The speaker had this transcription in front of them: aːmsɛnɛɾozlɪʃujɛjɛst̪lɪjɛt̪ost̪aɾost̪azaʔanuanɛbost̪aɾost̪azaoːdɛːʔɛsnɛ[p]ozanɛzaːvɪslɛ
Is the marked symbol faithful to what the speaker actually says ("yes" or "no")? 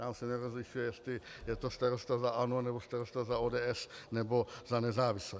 no